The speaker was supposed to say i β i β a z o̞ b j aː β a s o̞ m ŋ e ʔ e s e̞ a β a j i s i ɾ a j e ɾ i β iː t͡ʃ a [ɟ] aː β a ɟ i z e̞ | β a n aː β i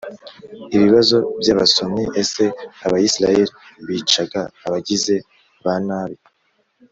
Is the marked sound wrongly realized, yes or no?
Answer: yes